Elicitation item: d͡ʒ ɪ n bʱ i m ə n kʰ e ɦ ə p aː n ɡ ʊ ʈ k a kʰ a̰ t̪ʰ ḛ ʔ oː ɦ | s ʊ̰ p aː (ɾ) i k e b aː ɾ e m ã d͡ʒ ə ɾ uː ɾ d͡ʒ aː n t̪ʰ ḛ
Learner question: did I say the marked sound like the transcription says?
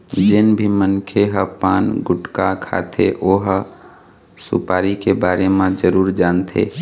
yes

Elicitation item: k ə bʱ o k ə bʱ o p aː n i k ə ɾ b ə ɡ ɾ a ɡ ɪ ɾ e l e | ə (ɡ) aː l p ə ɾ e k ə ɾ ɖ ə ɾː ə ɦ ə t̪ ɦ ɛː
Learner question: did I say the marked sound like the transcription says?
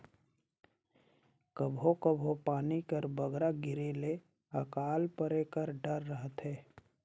no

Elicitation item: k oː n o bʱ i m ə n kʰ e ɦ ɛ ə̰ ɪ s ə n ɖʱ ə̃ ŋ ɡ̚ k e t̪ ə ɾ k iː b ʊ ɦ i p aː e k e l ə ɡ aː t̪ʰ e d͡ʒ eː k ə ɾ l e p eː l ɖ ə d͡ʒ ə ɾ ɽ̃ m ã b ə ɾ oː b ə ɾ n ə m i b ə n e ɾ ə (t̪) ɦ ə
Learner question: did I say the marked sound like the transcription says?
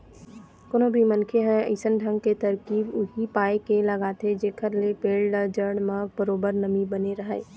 no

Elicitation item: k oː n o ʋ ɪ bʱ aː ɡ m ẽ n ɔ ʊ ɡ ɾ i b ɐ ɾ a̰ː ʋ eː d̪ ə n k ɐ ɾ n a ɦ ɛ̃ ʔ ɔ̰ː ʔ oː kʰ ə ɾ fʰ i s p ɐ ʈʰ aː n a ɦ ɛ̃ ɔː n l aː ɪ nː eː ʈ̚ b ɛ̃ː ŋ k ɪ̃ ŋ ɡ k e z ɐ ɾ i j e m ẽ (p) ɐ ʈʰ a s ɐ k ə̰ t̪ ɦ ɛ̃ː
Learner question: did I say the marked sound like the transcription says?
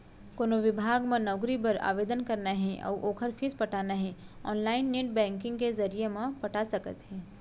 yes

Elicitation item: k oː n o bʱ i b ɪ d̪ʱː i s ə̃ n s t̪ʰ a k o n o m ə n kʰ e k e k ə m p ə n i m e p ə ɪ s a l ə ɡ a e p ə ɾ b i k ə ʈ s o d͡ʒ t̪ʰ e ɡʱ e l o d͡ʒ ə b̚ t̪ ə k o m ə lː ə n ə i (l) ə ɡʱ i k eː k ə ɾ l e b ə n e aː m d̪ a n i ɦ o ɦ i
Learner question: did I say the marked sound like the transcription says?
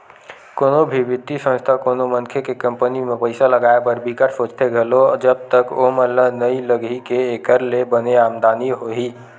yes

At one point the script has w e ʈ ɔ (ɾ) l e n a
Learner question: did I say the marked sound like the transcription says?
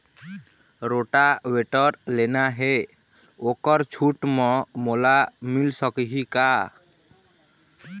yes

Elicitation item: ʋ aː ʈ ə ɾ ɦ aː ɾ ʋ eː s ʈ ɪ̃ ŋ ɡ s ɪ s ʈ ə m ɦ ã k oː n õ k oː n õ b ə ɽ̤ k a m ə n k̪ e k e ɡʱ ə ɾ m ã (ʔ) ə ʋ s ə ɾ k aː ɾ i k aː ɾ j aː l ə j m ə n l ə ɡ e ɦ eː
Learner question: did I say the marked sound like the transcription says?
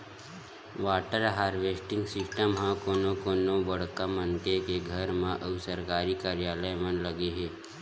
yes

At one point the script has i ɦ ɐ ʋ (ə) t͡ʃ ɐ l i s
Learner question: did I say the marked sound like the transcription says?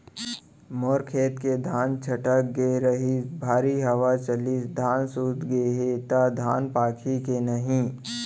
no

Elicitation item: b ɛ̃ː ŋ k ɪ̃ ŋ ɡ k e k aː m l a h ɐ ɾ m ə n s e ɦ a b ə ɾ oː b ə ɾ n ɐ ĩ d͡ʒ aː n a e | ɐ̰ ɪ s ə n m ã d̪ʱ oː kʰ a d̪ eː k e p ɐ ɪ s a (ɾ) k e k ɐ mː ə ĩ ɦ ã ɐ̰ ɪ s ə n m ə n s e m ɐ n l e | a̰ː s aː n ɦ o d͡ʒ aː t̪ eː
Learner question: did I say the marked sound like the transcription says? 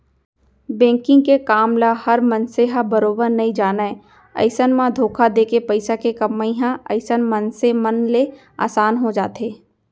no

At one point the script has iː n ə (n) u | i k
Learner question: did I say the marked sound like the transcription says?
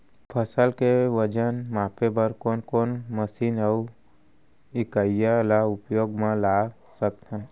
no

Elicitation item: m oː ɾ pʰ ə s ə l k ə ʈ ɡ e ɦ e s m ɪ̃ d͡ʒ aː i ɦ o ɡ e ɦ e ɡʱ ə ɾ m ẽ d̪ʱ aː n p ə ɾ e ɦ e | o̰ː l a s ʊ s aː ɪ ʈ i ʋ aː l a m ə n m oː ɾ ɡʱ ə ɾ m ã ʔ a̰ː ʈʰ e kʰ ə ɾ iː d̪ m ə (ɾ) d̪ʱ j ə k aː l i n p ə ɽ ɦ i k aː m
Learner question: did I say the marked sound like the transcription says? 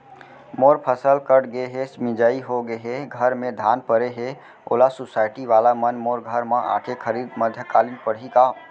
no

